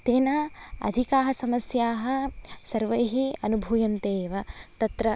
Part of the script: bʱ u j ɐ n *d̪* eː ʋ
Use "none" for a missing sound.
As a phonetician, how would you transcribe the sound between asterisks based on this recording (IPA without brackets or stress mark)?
t̪